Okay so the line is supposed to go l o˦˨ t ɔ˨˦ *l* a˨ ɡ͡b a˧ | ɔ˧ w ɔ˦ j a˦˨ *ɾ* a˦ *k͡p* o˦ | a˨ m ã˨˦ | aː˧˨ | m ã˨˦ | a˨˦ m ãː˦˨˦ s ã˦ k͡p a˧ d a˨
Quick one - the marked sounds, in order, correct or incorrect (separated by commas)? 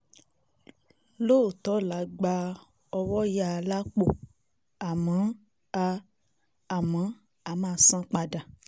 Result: correct, incorrect, correct